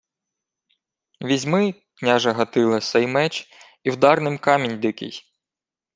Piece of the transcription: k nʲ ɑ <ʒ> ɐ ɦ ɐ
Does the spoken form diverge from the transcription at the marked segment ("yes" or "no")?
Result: no